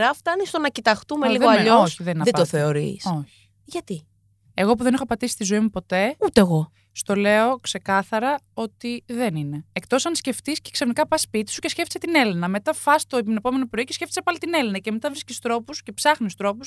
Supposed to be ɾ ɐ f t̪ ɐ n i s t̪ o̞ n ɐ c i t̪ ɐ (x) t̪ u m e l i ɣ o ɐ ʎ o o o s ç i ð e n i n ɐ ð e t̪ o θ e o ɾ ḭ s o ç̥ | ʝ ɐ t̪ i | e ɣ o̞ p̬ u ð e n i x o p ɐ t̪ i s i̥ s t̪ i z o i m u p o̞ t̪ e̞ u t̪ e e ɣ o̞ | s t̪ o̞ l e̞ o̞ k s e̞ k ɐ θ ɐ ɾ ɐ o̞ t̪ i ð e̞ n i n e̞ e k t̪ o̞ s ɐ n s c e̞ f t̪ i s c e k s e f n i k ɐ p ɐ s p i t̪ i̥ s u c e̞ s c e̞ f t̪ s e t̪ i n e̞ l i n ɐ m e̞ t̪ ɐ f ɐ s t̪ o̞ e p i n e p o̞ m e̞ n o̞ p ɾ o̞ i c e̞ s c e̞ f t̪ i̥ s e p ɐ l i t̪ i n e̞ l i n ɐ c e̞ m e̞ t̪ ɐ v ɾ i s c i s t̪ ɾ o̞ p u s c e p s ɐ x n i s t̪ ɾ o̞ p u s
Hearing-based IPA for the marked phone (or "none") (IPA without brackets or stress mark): x